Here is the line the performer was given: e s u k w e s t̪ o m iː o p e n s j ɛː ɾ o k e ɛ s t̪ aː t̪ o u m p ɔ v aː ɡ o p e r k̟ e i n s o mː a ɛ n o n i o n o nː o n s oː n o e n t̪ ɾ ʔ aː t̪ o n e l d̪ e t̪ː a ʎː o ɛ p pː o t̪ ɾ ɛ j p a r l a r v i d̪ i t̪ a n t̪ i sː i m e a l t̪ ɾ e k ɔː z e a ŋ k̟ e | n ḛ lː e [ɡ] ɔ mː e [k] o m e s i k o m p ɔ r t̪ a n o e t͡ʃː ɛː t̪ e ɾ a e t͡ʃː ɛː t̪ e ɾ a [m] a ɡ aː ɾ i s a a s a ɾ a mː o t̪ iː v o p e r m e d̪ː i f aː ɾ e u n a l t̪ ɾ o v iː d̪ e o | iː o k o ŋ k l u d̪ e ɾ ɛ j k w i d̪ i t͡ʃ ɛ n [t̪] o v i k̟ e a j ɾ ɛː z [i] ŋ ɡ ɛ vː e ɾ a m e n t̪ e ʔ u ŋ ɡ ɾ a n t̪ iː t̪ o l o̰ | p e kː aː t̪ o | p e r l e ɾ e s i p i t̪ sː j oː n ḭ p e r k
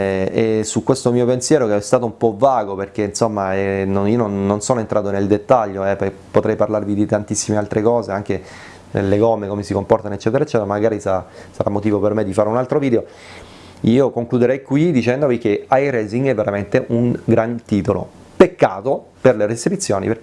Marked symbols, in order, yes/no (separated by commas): yes, yes, yes, no, yes